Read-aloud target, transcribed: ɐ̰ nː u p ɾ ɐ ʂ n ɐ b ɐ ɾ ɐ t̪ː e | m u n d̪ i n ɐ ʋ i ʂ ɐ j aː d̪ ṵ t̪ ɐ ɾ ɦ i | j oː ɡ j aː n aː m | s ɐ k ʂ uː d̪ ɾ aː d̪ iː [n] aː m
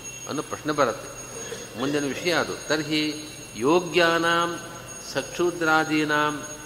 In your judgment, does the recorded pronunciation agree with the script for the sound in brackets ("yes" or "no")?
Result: yes